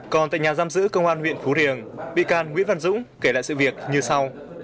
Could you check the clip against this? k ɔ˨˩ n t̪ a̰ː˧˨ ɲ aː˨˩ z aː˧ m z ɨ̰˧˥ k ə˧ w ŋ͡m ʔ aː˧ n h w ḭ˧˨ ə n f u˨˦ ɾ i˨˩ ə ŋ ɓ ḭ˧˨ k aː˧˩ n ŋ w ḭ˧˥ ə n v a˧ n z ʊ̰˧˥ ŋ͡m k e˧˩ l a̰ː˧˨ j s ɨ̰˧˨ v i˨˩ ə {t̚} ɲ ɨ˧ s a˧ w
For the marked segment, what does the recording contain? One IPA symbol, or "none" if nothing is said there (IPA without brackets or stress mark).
k̚